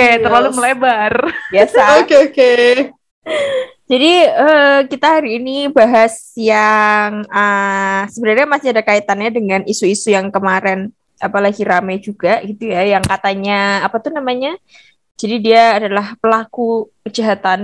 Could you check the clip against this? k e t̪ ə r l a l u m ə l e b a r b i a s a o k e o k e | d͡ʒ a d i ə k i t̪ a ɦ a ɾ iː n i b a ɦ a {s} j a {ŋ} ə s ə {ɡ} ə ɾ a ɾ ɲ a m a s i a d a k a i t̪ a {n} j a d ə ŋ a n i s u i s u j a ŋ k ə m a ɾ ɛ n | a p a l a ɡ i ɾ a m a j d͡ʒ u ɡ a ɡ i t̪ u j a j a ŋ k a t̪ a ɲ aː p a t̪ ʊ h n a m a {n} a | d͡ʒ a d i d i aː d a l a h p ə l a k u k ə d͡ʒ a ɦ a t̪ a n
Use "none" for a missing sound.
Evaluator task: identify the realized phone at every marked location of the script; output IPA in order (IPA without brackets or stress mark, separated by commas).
s, ŋ, b, n, ɲ